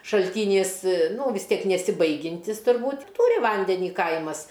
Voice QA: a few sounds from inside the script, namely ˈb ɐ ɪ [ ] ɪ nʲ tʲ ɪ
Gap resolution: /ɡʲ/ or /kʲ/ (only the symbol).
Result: ɡʲ